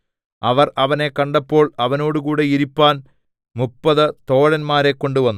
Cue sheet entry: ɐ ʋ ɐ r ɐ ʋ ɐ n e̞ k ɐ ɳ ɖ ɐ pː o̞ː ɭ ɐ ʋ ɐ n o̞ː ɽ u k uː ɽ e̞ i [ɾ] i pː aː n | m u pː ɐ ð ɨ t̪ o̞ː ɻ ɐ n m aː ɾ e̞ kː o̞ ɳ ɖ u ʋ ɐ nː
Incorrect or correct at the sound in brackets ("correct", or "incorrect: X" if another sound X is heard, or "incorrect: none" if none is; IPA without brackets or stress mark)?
correct